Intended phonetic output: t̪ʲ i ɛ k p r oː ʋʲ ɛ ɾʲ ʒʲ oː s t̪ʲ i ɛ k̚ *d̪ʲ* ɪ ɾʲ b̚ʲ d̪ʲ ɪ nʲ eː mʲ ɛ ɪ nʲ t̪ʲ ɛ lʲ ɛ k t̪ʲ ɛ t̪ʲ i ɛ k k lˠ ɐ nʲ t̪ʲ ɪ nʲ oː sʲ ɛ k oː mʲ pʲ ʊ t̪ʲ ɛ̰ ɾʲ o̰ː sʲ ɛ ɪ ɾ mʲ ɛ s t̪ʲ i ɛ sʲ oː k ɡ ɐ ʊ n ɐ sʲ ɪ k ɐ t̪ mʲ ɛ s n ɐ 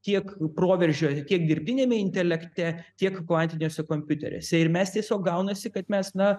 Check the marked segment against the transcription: correct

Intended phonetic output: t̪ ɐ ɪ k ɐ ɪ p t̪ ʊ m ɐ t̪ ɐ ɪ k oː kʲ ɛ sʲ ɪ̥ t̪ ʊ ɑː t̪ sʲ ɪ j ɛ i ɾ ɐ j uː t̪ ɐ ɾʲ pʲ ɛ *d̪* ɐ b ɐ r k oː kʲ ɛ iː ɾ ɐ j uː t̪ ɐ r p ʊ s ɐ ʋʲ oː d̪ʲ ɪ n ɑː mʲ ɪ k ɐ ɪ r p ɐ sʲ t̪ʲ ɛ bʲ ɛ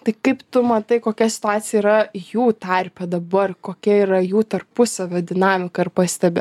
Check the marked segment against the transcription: correct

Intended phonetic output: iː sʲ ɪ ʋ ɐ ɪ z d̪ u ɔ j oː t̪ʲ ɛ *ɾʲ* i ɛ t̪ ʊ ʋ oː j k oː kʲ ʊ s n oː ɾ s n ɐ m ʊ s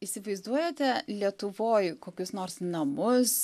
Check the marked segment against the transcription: incorrect: lʲ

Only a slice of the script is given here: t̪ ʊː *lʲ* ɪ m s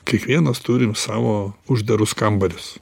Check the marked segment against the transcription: incorrect: ɾʲ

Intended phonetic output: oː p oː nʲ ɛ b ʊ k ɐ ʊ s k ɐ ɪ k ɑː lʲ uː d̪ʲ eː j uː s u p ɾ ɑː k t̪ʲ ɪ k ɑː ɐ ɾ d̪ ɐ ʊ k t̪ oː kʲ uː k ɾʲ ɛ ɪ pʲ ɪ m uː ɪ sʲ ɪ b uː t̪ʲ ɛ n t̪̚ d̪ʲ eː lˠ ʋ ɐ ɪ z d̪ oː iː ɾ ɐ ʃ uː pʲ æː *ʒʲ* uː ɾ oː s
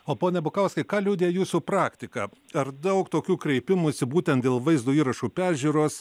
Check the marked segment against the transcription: correct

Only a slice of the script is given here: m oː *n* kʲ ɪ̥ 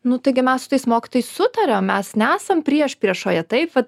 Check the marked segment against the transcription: incorrect: none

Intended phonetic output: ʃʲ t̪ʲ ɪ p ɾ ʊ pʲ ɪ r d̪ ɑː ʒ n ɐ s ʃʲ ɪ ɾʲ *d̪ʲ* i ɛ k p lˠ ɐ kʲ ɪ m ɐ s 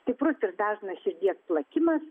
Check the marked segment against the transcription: correct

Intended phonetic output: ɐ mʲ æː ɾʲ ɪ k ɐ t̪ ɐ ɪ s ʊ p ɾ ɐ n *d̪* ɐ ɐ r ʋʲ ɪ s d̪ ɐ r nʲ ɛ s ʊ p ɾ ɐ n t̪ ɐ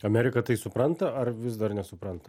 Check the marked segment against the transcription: incorrect: t̪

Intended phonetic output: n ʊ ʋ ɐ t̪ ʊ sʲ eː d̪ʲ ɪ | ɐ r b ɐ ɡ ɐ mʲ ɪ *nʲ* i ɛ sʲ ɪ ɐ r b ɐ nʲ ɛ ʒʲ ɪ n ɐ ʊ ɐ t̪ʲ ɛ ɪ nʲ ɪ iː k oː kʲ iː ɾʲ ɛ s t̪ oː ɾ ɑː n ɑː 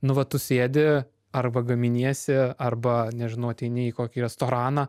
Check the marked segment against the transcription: correct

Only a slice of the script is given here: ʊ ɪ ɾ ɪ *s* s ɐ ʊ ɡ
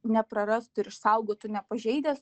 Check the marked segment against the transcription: incorrect: ʃ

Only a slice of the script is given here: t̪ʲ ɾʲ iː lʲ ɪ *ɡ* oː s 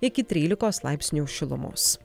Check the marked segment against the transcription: incorrect: k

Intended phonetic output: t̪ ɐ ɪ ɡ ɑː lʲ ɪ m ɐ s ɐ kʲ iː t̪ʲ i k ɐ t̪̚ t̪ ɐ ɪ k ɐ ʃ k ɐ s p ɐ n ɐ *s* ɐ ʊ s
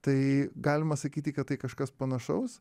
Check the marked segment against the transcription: incorrect: ʃ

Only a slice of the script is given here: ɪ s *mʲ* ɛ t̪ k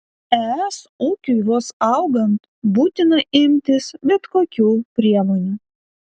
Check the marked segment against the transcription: incorrect: bʲ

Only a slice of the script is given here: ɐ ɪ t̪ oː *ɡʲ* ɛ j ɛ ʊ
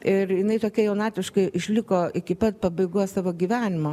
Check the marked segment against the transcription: incorrect: kʲ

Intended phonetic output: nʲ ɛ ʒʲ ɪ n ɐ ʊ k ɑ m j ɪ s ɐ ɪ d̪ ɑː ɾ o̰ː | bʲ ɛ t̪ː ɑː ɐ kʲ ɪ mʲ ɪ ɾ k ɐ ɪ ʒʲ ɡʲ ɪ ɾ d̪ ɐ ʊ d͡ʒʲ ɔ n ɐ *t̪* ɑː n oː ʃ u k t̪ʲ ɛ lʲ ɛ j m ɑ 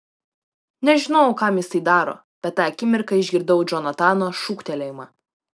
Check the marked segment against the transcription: correct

